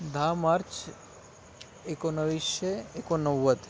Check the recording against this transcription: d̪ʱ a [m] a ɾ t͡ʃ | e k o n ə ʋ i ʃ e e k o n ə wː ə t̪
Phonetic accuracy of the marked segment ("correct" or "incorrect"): correct